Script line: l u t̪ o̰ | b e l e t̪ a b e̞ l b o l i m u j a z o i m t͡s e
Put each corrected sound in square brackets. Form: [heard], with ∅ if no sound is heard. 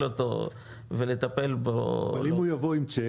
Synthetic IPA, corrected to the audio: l [o] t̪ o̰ | [v] e l e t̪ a [p] e̞ l b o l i m u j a [v] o i m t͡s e